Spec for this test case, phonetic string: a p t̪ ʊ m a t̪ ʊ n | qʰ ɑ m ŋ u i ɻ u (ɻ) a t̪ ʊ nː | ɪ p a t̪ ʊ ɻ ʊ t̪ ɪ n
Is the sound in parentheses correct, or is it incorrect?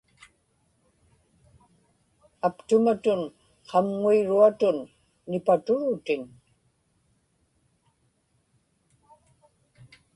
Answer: incorrect